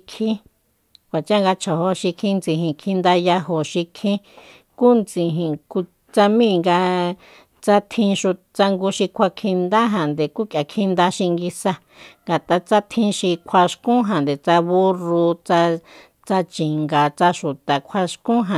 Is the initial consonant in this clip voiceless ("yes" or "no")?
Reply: yes